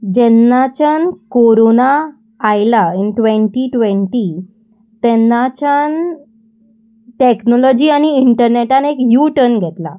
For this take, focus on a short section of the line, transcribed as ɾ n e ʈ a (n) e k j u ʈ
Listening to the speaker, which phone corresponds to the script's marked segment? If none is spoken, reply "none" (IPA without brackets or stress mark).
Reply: n